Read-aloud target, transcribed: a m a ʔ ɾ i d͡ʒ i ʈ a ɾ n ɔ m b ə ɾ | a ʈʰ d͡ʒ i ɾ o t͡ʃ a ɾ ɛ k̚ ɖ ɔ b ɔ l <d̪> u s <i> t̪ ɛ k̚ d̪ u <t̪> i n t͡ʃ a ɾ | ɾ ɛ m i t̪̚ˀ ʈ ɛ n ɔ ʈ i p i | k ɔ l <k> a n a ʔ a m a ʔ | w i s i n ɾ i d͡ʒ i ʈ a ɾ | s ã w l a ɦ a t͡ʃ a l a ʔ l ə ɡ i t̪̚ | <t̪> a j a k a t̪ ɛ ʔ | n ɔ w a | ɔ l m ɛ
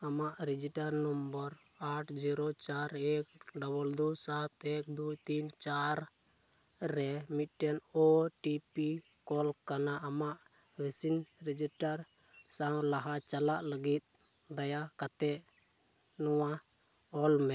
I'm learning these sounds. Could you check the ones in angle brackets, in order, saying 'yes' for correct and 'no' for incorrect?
yes, no, yes, yes, no

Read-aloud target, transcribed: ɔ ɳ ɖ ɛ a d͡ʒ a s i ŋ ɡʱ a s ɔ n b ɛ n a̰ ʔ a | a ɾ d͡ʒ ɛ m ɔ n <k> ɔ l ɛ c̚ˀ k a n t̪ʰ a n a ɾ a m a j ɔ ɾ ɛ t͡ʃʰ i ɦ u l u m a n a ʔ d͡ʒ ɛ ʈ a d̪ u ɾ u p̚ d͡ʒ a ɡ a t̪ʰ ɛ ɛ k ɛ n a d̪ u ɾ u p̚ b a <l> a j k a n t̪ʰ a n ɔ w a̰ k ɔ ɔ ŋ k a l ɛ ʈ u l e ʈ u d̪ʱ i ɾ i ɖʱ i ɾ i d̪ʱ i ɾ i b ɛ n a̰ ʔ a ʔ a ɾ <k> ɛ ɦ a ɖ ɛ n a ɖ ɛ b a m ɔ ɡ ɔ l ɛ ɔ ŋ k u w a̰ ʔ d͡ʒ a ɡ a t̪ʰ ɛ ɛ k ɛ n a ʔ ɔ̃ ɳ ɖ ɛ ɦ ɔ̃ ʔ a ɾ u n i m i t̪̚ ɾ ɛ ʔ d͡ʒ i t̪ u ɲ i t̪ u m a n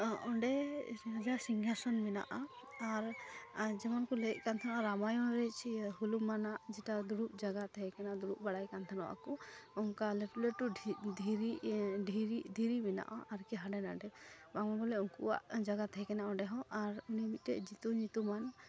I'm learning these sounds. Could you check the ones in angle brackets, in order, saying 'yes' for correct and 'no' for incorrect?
yes, no, yes

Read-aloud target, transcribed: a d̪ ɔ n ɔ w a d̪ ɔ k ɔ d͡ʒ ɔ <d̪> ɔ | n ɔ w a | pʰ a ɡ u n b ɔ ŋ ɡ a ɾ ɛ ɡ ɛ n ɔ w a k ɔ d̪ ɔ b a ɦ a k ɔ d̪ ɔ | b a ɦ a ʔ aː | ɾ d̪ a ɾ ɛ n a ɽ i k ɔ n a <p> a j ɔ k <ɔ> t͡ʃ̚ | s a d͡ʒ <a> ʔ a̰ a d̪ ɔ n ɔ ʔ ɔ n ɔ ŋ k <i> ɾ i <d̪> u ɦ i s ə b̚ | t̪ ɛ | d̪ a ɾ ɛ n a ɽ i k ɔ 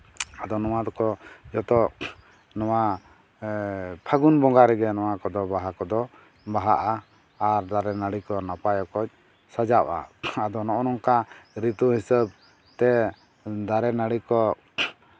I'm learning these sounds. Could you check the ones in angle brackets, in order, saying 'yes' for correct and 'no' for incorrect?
no, yes, yes, yes, no, no

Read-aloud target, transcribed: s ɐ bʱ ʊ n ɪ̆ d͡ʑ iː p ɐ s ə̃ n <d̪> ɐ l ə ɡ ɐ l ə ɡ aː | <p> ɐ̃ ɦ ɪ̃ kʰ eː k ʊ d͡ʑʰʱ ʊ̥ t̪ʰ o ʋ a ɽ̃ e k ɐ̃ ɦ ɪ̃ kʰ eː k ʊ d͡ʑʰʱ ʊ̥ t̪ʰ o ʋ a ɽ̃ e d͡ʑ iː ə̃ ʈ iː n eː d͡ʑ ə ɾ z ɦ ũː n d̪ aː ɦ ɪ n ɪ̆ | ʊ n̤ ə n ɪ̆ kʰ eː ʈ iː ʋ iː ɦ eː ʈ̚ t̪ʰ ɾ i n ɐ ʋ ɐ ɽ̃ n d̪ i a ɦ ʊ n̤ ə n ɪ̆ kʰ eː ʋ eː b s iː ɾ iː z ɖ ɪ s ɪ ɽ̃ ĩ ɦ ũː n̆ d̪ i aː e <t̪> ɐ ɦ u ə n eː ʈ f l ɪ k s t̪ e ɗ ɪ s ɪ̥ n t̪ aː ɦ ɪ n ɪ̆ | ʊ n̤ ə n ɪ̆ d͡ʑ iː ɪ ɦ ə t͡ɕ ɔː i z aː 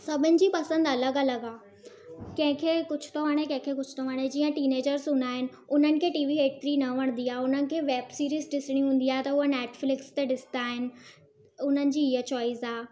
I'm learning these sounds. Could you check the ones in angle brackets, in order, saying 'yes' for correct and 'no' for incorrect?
yes, no, yes

